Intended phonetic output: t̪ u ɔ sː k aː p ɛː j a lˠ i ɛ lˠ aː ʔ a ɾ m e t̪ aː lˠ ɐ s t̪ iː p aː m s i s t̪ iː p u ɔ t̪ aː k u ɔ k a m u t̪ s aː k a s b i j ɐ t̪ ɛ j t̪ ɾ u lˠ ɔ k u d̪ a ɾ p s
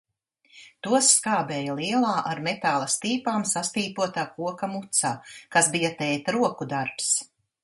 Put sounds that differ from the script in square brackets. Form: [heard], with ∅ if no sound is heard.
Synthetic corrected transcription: t̪ u ɔ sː k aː [b] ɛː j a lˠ i ɛ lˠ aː ʔ a ɾ m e t̪ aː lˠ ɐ s t̪ iː p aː m s [a] s t̪ iː p u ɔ t̪ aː k u ɔ k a m u t̪ s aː k a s b i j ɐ t̪ ɛ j t̪ ɾ u [∅] ɔ k u d̪ a ɾ p s